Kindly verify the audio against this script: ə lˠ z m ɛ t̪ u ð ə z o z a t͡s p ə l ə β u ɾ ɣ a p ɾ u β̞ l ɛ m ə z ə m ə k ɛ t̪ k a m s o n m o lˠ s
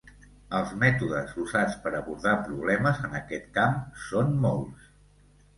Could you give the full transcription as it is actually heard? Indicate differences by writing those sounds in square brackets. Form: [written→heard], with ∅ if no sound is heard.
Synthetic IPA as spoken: ə lˠ z m ɛ t̪ u ð ə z [o→u] z a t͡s p ə [l→ɾ] ə β u ɾ [ɣ→ð] a p ɾ u β̞ l ɛ m ə z ə [m→n] ə k ɛ t̪ k a m s o n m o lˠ s

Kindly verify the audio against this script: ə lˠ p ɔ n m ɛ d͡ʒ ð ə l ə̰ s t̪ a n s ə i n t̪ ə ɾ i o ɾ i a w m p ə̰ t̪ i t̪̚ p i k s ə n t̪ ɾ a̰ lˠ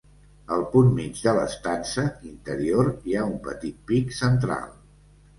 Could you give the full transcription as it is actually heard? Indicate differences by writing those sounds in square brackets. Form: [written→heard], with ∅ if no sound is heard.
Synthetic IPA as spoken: ə lˠ p [ɔ→u] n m [ɛ→i] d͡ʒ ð ə l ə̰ s t̪ a n s ə i n t̪ ə ɾ i o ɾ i a [w→u] m p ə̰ t̪ i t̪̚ p i k s ə n t̪ ɾ a̰ lˠ

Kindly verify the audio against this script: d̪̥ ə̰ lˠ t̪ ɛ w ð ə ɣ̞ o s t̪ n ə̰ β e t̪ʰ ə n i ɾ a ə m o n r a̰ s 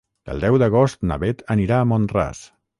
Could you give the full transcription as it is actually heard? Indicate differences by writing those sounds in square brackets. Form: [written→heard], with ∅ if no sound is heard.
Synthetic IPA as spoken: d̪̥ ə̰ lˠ [t̪→d̪] ɛ w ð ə ɣ̞ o s t̪ n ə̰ β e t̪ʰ ə n i ɾ a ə m o n r a̰ s

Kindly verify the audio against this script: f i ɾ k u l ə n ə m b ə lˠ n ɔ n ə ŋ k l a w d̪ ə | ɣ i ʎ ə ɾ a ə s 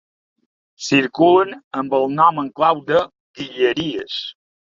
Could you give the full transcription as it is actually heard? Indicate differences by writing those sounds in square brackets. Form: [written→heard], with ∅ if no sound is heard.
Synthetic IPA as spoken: [f→s] i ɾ k u l ə n ə m b ə lˠ n ɔ [n→m] ə ŋ k l a w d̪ ə | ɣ i ʎ ə ɾ [a→i] ə s

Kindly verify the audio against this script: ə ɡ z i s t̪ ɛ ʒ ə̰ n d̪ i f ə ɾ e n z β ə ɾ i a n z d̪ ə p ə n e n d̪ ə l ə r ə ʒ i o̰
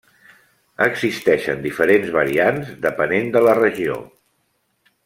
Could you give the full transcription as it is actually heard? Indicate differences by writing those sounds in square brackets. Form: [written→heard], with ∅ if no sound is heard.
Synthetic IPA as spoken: ə ɡ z i s t̪ ɛ [ʒ→ʃ] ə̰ n d̪ i f ə ɾ e n z β ə ɾ i a n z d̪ ə p ə n e n d̪ ə l ə r ə ʒ i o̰

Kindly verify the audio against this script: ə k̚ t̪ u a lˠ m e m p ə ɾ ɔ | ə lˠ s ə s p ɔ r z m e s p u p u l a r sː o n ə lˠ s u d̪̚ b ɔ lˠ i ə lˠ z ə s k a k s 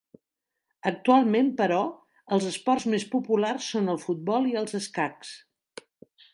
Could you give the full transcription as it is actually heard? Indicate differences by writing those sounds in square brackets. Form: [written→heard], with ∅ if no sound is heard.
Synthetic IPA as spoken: ə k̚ t̪ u a lˠ m e m p ə ɾ ɔ | ə lˠ [s→z] ə s p ɔ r z m e s p u p u l a r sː o n ə lˠ [s→f] u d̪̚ b ɔ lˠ i ə lˠ z ə s k a k s

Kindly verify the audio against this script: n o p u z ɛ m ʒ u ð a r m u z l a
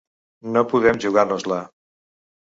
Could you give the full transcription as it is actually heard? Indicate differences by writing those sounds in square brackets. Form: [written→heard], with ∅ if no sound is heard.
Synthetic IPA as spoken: n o p u [z→ð] ɛ m ʒ u [ð→ɣ] a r [m→n] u z l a

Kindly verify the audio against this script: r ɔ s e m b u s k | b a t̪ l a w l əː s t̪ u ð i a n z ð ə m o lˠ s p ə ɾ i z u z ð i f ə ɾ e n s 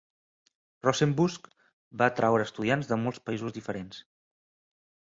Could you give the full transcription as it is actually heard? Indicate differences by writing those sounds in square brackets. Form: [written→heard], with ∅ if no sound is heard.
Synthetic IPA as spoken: r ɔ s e m b u s k | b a t̪ [l→ɾ] a w [l→ɾ] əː s t̪ u ð i a n z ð ə m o lˠ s p ə [ɾ→∅] i z u z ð i f ə ɾ e n s

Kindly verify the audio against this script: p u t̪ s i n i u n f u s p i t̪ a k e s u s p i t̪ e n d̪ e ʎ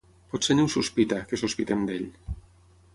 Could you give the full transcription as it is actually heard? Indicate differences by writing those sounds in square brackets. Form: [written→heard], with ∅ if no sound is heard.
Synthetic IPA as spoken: p [u→ɔ] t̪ s [i→e] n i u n [f→s] u s p i t̪ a k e s u s p i t̪ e [n→m] d̪ e ʎ

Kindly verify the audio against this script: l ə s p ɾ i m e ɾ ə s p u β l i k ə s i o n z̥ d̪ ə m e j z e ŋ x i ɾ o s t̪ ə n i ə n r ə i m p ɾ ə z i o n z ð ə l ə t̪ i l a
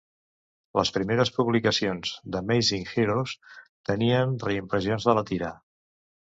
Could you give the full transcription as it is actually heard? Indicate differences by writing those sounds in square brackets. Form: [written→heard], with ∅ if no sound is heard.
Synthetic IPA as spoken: l ə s p ɾ i m e ɾ ə s p u β l i k ə s i o n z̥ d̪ ə m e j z [e→i] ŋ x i ɾ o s t̪ ə n i ə n r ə i m p ɾ ə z i o n z ð ə l ə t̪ i [l→ɾ] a

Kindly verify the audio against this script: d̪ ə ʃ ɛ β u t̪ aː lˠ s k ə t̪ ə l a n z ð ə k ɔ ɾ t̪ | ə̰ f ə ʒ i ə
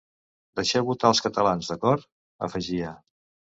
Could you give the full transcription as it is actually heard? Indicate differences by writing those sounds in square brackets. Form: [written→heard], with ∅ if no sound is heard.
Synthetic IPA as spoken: d̪ ə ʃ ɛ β u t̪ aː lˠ s k ə t̪ ə l a n z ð ə k ɔ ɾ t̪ | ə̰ f ə ʒ i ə

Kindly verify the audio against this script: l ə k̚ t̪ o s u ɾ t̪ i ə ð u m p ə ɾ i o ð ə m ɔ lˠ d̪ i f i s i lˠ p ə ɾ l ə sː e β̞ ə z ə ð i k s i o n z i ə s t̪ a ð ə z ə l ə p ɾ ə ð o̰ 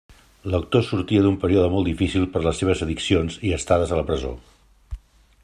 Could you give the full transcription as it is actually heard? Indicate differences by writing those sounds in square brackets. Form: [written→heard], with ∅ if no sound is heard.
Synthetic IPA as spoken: l ə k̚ t̪ o s u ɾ t̪ i ə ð u m p ə ɾ i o ð ə m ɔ lˠ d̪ i f i s i lˠ p ə ɾ l ə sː e β̞ ə z ə ð i k s i o n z i ə s t̪ a ð ə z ə l ə p ɾ ə [ð→z] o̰

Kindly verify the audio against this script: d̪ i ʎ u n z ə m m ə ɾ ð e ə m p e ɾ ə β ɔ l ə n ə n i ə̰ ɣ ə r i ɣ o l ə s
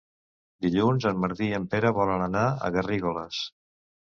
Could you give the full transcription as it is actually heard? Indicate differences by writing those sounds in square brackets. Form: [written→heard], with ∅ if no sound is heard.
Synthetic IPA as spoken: d̪ i ʎ u n z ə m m ə ɾ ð [e→i] ə m p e ɾ ə β ɔ l ə n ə n [i→a] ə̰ ɣ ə r i ɣ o l ə s

